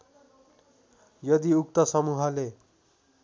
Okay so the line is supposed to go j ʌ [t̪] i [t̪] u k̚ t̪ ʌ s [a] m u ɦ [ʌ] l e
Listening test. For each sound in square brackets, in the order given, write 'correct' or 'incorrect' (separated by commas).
incorrect, incorrect, incorrect, correct